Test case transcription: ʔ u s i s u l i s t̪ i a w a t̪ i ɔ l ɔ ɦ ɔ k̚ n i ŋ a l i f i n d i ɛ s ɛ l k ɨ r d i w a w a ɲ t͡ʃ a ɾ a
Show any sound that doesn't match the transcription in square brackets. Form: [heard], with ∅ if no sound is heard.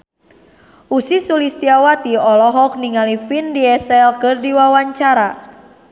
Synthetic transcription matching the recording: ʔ u s i s u l i s t̪ i a w a t̪ i ɔ l ɔ ɦ ɔ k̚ n i ŋ a l i f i n d i ɛ s ɛ l k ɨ r d i w a w a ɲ t͡ʃ a ɾ a